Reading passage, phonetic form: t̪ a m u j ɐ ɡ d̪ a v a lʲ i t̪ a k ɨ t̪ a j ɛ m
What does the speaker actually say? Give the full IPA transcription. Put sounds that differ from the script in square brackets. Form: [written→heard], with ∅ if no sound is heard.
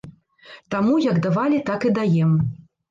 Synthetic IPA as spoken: t̪ a m u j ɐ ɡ d̪ a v a lʲ i t̪ a k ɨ [t̪→d̪] a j ɛ m